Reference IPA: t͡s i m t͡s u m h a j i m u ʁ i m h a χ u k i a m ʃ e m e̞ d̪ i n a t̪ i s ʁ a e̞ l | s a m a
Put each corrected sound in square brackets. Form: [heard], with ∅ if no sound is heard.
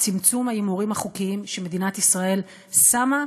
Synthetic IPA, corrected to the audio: t͡s i m t͡s u m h a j i m u ʁ i m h a χ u k i [i] m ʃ e m e̞ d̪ i n a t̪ i s ʁ a e̞ l | s a m a